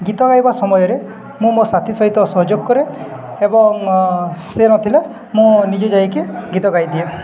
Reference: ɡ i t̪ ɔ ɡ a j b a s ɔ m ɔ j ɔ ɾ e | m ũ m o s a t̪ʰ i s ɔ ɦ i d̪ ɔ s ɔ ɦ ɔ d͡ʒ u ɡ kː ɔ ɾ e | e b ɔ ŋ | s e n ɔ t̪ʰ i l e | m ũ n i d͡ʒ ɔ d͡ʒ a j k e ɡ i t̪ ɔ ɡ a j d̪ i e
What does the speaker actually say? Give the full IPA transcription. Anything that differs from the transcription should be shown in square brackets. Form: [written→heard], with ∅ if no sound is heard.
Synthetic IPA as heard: ɡ i t̪ ɔ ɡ a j b a s ɔ m ɔ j ɔ ɾ e | m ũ m o s a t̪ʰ i s ɔ ɦ i [d̪→t̪] ɔ s ɔ ɦ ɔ d͡ʒ [u→o] ɡ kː ɔ ɾ e | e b ɔ ŋ | s e n ɔ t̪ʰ i l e | m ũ n i d͡ʒ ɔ d͡ʒ a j k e ɡ i t̪ ɔ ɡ a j d̪ i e